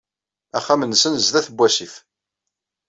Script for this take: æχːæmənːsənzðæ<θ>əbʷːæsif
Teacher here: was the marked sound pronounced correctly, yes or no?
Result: yes